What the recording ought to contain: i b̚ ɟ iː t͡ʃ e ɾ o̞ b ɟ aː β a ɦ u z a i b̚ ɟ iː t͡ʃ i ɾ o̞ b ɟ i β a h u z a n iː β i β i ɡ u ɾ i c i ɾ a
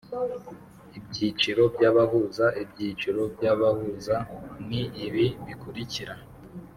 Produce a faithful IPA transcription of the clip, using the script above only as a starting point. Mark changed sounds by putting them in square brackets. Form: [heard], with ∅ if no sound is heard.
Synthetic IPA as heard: i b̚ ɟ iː t͡ʃ [i] ɾ o̞ b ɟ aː β a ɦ u z a i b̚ ɟ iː t͡ʃ i ɾ o̞ b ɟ [a] β a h u z a n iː β i β i [k] u ɾ i c i ɾ a